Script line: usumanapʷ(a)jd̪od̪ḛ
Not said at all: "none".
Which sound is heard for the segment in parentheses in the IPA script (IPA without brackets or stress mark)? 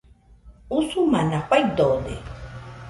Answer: a